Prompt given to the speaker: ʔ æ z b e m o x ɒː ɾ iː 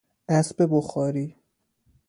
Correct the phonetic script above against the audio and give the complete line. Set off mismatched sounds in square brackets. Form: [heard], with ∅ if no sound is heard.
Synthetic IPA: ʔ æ [s] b e [b] o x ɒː ɾ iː